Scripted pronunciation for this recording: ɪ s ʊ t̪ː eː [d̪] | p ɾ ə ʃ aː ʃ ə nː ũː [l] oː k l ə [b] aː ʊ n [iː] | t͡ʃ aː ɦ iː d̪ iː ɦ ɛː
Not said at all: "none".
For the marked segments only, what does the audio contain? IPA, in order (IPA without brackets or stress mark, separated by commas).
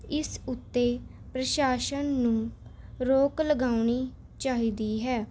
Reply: none, ɾ, ɡ, iː